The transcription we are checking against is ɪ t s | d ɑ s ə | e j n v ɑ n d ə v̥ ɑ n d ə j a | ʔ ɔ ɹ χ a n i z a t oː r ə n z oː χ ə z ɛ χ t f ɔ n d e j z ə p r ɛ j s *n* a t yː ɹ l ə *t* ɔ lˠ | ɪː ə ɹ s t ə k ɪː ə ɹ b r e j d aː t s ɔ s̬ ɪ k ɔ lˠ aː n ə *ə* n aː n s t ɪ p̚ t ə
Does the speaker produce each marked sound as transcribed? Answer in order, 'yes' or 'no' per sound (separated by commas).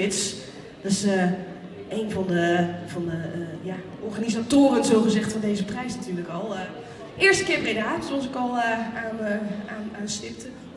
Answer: yes, no, no